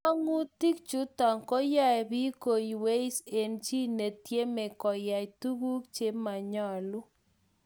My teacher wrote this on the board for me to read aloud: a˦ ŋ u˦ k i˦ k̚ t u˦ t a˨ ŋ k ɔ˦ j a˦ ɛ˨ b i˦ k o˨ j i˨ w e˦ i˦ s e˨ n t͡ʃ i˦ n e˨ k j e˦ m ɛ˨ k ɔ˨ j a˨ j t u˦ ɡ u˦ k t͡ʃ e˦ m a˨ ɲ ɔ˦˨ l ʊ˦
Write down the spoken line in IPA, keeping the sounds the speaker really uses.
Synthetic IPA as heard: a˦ ŋ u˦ t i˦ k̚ t͡ʃ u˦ t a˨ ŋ k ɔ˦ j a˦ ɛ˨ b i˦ k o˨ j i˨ w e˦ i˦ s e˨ n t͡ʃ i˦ n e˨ t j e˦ m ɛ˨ k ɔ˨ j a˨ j t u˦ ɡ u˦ k t͡ʃ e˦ m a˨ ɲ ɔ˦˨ l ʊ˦